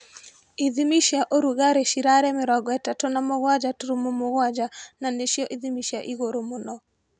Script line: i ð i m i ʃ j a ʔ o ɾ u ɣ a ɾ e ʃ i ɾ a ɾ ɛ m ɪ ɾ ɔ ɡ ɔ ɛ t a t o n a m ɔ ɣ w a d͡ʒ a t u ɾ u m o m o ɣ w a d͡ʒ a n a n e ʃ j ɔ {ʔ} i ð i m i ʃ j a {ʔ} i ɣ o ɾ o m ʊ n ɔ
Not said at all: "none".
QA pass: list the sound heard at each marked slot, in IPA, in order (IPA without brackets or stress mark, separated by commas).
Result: ʔ, ʔ